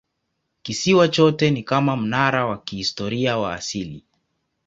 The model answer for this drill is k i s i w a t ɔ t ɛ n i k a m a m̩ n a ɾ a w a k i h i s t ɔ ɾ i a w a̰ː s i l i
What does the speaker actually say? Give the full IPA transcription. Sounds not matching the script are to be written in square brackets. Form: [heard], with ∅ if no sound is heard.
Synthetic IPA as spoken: k i s i w a [t͡ʃ] ɔ t ɛ n i k a m a m̩ n a ɾ a w a k i h i s t ɔ ɾ i a w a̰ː s i l i